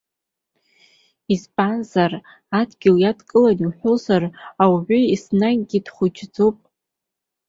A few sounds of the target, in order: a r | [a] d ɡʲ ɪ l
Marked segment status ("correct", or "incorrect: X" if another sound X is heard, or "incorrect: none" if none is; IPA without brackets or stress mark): correct